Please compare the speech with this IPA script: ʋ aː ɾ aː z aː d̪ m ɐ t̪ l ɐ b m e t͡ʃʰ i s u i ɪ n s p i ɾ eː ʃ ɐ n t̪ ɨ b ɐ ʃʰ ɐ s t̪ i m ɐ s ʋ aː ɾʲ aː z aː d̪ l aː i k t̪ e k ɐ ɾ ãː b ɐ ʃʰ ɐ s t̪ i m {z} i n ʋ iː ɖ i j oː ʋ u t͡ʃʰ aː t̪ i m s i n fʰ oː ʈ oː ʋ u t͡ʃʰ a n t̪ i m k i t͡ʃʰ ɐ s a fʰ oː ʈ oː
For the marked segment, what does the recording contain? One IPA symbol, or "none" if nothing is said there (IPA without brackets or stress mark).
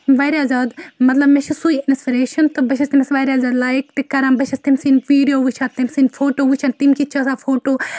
s